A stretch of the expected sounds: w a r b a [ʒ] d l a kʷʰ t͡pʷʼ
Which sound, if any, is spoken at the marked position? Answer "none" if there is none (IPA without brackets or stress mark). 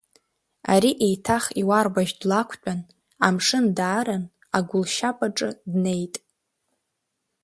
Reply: ʒ